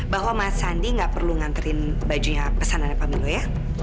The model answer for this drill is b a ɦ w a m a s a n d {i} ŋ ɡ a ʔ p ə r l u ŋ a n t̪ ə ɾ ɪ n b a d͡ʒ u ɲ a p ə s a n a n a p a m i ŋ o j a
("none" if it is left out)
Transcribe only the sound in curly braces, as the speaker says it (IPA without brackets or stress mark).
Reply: i